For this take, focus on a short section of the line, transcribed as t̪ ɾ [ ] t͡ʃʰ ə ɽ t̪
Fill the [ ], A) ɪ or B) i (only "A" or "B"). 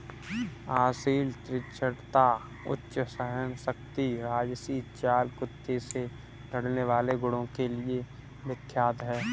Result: A